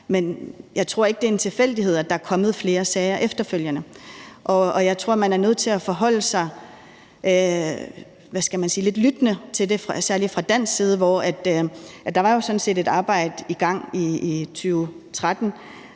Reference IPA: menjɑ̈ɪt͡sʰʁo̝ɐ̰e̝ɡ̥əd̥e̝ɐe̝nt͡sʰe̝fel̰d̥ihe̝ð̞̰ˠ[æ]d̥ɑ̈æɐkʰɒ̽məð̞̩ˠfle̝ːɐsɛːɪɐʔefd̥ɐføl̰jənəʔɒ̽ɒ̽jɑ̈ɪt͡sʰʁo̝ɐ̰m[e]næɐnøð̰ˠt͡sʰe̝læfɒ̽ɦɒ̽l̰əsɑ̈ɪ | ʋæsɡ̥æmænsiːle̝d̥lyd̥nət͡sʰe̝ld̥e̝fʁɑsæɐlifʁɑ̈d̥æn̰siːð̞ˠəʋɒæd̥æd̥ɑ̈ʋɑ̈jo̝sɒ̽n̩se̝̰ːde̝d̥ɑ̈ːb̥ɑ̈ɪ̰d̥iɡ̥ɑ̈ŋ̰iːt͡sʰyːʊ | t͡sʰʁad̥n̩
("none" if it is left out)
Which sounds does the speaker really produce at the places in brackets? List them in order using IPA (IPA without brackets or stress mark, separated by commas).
æ, æ